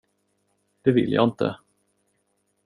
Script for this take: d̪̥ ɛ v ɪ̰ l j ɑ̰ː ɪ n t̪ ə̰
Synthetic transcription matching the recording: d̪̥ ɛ v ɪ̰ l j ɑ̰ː ɪ n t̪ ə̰